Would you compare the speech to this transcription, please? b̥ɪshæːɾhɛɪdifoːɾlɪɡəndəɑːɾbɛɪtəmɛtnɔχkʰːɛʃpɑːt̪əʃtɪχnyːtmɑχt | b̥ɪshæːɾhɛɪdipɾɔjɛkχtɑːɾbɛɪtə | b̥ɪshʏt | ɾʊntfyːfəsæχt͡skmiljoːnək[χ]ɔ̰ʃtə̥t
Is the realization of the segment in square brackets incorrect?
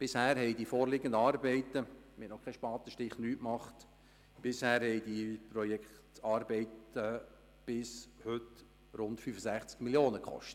no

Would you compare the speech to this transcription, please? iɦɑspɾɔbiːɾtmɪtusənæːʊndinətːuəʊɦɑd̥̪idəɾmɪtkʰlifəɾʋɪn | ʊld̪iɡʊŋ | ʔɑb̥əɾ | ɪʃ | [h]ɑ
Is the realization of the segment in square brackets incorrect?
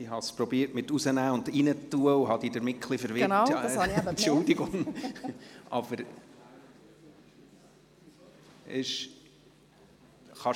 yes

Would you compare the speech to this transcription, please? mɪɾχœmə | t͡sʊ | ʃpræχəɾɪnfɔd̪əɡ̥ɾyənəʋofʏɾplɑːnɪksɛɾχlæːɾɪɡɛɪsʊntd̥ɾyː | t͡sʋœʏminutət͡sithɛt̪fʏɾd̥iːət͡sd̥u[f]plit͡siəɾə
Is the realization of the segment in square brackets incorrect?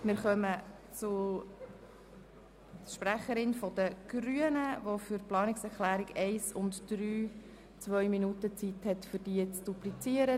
yes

